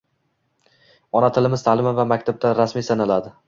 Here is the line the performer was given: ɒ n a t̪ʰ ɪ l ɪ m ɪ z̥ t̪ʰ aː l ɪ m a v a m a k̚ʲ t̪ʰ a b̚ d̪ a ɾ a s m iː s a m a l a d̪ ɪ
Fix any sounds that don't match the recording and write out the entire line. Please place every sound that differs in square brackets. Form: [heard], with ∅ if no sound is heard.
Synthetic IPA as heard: ɒ n a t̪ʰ ɪ l ɪ m ɪ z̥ t̪ʰ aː l ɪ m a v a m a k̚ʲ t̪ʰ a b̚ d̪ a ɾ a s m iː s a [n] a l a d̪ ɪ